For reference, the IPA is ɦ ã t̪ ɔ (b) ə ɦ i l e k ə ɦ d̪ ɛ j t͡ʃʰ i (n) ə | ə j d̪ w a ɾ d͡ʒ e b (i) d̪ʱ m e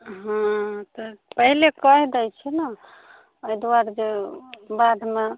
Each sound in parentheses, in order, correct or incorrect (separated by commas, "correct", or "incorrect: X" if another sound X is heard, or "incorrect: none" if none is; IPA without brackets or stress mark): incorrect: p, correct, incorrect: a